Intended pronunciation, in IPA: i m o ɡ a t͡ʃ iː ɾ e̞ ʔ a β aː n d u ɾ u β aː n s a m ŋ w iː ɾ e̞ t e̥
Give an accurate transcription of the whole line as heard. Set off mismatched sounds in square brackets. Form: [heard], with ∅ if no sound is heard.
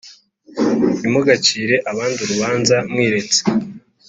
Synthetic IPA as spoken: i m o ɡ a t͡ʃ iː ɾ e̞ ʔ a β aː n d u ɾ u β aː n [z] a m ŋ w iː ɾ e̞ [t͡s] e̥